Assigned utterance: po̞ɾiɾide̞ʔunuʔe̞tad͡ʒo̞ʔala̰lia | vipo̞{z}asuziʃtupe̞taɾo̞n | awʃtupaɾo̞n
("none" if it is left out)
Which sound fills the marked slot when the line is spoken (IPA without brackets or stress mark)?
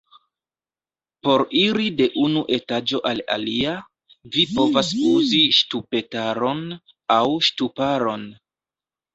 v